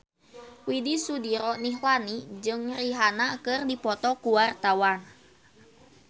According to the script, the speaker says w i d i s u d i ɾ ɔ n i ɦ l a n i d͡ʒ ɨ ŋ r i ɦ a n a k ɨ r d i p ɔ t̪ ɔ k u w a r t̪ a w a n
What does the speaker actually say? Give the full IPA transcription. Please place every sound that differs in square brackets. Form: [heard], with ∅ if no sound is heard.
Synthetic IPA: w i d i s u d i ɾ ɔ n i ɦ l a n i d͡ʒ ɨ ŋ r i ɦ a n a k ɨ r d i p ɔ t̪ ɔ k u w a r t̪ a w a n

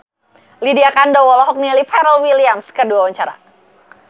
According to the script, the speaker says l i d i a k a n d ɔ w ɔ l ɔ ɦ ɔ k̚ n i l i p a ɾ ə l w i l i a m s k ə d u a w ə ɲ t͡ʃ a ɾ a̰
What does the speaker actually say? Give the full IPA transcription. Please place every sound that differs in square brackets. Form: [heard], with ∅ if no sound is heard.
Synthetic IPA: l i d i a k a n d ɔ w ɔ l ɔ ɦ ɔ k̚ n i l i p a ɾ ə l w i l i a m s k ə d u a w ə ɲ t͡ʃ a ɾ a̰

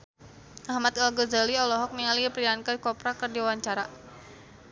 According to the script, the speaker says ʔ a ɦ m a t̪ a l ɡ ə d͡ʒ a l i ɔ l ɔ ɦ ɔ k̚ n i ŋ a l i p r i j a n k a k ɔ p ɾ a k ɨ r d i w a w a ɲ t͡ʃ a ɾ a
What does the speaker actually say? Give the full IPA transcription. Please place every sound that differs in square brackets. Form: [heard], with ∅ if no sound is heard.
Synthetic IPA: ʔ a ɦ m a t̪ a l ɡ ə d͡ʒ a l i ɔ l ɔ ɦ ɔ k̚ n i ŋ a l i p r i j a n k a k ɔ p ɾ a k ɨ r d i w a w a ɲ t͡ʃ a ɾ a

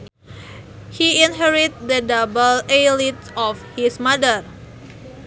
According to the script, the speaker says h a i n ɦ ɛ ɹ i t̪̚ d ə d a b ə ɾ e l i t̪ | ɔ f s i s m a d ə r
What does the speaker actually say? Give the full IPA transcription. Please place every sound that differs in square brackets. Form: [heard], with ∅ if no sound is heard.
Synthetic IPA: h [i] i n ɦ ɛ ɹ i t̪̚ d ə d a b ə [l] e l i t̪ | ɔ f [h] i s m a d ə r

